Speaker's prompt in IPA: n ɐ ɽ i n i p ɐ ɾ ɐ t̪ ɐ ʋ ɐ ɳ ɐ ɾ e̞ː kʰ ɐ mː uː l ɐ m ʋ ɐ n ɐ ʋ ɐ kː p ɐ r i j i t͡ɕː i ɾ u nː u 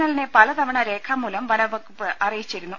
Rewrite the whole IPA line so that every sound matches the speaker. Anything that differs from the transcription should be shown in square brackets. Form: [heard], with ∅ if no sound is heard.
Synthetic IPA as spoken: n ɐ [l] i n [e] p ɐ [l] ɐ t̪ ɐ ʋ ɐ ɳ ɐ ɾ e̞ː kʰ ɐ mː uː l ɐ m ʋ ɐ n ɐ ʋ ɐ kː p ɐ r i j i t͡ɕː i ɾ u nː u